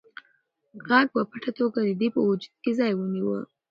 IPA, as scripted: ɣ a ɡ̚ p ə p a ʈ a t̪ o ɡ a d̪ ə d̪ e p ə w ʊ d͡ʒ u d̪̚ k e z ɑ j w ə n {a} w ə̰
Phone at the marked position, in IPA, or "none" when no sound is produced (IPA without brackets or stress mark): i